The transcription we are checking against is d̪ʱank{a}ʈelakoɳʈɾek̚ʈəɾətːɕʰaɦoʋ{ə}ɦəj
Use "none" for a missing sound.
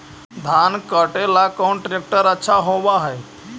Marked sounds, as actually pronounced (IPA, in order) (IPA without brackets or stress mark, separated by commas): ə, a